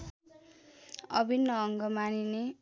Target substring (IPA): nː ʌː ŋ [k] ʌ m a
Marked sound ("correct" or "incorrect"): incorrect